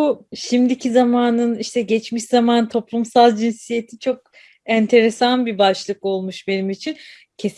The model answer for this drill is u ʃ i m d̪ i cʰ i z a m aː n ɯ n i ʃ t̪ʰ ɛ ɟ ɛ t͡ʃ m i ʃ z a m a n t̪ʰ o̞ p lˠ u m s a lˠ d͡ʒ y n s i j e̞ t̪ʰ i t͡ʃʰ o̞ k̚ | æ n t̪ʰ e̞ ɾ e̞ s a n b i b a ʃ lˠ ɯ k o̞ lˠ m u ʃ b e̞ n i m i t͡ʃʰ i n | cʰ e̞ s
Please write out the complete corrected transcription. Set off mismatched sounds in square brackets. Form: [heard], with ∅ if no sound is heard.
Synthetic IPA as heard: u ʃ i m d̪ i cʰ i z a m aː n ɯ n i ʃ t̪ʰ ɛ ɟ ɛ t͡ʃ m i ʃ z a m a n t̪ʰ o̞ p lˠ u m s a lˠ d͡ʒ [i] n s i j e̞ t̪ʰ i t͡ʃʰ o̞ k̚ | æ n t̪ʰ e̞ ɾ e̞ s a n b i b a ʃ lˠ ɯ k o̞ lˠ m u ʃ b e̞ n i m i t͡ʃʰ i n | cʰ e̞ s